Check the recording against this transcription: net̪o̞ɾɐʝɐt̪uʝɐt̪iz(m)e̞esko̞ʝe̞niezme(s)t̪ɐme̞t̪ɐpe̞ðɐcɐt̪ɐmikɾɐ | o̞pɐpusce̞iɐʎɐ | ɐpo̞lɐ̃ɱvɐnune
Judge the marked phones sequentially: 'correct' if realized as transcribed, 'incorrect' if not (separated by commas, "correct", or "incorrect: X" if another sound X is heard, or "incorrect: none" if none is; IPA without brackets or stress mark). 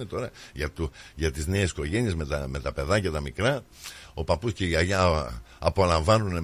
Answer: incorrect: n, incorrect: none